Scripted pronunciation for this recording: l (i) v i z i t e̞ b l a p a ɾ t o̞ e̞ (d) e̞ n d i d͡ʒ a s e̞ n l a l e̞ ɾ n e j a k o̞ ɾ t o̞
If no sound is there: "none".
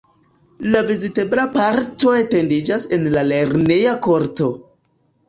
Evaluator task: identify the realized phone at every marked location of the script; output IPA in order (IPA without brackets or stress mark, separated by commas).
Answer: a, t